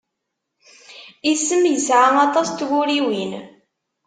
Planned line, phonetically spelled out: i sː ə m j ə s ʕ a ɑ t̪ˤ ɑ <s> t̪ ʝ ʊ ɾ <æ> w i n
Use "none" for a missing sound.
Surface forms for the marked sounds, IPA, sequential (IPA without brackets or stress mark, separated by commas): s, i